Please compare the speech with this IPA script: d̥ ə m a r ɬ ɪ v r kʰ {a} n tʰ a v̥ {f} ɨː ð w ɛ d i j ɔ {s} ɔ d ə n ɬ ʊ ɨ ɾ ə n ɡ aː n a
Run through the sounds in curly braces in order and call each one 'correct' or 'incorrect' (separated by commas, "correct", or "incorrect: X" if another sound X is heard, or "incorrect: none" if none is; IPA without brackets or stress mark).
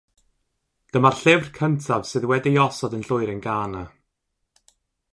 incorrect: ə, incorrect: s, correct